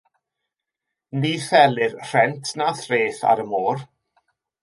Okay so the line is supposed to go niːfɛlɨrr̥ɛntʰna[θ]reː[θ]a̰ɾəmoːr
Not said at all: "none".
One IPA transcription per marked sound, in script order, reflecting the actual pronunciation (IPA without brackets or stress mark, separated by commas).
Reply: θ, θ